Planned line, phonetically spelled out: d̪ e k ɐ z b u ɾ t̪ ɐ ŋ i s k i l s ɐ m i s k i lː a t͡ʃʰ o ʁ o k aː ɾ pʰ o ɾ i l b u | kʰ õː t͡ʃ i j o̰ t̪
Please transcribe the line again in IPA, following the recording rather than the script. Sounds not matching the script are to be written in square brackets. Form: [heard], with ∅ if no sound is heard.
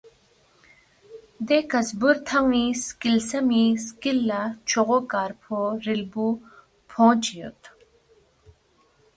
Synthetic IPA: d̪ e k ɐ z b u ɾ [t̪ʰ] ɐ ŋ i s k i l s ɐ m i s k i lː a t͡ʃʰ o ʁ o k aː ɾ pʰ o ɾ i l b u | [pʰ] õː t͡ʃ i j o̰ t̪

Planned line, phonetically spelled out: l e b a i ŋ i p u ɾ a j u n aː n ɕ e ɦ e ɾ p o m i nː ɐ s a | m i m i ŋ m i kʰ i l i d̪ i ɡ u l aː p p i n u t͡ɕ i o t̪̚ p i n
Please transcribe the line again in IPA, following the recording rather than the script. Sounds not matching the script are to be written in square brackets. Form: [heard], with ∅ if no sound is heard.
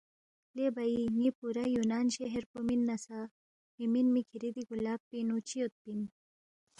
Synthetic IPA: l e b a i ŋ i p u ɾ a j u n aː n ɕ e ɦ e ɾ p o m i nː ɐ s a | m i m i [n] m i kʰ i [ɾ] i d̪ i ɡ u l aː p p i n u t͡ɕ i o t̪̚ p i n

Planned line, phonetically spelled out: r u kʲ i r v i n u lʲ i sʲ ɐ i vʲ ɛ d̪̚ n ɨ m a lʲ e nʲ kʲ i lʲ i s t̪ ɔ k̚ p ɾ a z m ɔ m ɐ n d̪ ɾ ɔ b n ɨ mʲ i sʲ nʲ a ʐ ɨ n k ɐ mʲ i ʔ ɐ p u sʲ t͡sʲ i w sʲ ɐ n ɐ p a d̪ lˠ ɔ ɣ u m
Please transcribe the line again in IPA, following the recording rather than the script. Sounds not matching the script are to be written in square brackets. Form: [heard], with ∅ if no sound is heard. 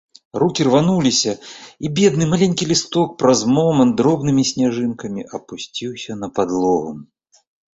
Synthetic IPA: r u kʲ i r v [a] n u lʲ i sʲ ɐ i [bʲ] ɛ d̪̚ n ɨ m a lʲ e nʲ kʲ i lʲ i s t̪ ɔ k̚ p ɾ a z m ɔ m ɐ n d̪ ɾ ɔ b n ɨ mʲ i sʲ nʲ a ʐ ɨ n k ɐ mʲ i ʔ ɐ p u sʲ t͡sʲ i w sʲ ɐ n ɐ p a d̪ lˠ ɔ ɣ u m

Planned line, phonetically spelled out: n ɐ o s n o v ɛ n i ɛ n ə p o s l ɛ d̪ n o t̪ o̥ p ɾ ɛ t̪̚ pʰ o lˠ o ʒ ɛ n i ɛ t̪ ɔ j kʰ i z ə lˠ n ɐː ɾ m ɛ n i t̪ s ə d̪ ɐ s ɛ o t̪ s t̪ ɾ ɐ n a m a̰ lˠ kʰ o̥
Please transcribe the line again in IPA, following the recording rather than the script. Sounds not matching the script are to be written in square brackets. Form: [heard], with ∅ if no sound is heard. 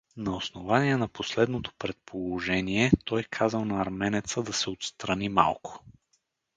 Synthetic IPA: n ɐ o s n o v [a] n i ɛ n [ɐ] p o s l ɛ d̪ n o t̪ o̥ p ɾ ɛ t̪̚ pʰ o lˠ o ʒ ɛ n i ɛ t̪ ɔ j kʰ [a] z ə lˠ n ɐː ɾ m ɛ n [ɛ] t̪ s ə d̪ ɐ s ɛ o t̪ s t̪ ɾ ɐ n [i] m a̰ lˠ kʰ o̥

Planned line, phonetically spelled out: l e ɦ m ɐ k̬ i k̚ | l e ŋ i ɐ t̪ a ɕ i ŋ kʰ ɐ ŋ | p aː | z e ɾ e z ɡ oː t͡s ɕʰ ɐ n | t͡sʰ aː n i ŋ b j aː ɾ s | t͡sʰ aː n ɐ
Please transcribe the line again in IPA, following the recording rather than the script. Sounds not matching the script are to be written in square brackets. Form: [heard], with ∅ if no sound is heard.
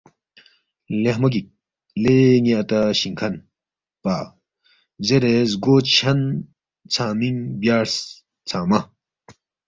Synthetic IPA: l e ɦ m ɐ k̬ i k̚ | l e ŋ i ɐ t̪ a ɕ i ŋ kʰ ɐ [n] | p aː | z e ɾ e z ɡ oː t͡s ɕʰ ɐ n | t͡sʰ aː [m] i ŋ b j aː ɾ s | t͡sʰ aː [m] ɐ

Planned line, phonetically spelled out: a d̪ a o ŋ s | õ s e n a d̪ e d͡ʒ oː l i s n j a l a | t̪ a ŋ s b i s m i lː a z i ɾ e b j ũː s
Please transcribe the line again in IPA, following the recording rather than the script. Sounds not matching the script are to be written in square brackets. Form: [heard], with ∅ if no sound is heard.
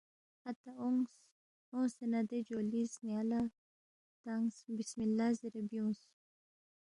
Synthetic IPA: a [t̪] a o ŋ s | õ s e n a d̪ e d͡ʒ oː l i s n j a l a | t̪ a ŋ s b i s m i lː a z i ɾ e b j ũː s

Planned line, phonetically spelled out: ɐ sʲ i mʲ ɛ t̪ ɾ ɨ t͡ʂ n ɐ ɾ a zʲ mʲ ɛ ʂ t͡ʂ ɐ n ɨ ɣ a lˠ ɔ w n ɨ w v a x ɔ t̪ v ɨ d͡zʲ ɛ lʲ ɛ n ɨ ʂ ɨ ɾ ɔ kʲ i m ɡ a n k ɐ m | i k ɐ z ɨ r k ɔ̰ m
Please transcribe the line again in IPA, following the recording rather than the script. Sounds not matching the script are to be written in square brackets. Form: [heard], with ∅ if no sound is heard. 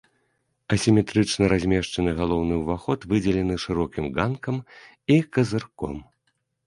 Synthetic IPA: ɐ sʲ i mʲ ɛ t̪ ɾ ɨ t͡ʂ n ɐ ɾ a zʲ mʲ ɛ ʂ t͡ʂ ɐ n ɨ ɣ a lˠ ɔ w n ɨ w v a x ɔ t̪ v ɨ d͡zʲ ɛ lʲ ɛ n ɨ ʂ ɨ ɾ ɔ kʲ i m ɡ a n k ɐ m | i k ɐ z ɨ r k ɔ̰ m

